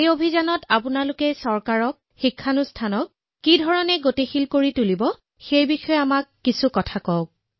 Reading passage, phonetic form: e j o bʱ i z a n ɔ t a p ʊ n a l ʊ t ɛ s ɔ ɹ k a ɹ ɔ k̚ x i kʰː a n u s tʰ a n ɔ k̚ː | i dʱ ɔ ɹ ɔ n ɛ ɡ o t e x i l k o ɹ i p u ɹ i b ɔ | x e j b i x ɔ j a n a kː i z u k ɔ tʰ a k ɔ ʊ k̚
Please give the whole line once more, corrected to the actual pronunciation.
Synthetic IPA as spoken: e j o bʱ i z a n ɔ t a p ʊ n a l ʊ k ɛ s ɔ ɹ k a ɹ ɔ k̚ x i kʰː a n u s tʰ a n ɔ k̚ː | i dʱ ɔ ɹ ɔ n ɛ ɡ o t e x i l k o ɹ i t u l i b ɔ | x e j b i x ɔ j a m a kː i s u k ɔ tʰ a k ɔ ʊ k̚